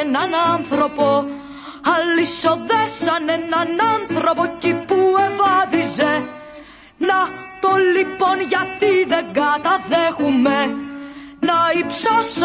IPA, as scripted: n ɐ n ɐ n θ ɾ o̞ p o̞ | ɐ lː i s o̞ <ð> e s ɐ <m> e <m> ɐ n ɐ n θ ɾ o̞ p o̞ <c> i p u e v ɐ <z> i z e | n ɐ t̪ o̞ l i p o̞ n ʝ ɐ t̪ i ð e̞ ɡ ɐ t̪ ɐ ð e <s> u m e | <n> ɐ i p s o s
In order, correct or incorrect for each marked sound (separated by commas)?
correct, incorrect, incorrect, correct, incorrect, incorrect, correct